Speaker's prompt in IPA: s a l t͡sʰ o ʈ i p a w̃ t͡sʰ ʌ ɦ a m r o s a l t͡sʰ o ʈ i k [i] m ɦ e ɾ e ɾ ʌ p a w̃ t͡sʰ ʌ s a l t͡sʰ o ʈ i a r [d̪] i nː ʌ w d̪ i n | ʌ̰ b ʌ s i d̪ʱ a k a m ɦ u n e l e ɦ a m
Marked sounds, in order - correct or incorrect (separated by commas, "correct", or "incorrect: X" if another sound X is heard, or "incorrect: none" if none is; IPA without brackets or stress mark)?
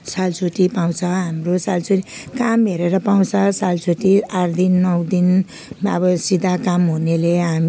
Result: incorrect: a, correct